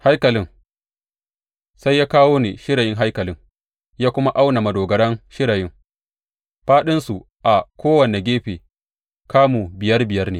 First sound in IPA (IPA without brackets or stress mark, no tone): h